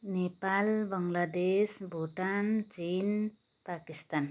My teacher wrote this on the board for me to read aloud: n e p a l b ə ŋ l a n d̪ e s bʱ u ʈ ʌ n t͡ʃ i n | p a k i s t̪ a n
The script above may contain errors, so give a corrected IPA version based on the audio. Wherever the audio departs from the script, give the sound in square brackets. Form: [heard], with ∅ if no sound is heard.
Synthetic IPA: n e p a l b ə ŋ l a [∅] d̪ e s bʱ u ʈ [a] n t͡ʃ i n | p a k i s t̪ a n